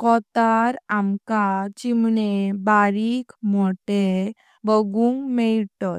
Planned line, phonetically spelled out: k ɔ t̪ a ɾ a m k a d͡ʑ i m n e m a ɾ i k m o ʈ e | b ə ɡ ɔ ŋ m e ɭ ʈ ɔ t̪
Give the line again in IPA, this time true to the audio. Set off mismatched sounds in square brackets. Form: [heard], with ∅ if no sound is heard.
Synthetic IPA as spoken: k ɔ t̪ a ɾ a m k a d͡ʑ i m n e [b] a ɾ i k m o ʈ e | b ə ɡ [u] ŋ m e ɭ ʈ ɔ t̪